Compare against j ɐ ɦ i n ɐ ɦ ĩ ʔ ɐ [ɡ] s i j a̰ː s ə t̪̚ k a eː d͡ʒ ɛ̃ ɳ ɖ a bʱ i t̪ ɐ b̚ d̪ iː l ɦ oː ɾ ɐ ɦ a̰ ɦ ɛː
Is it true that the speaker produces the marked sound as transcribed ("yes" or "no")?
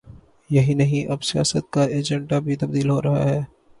no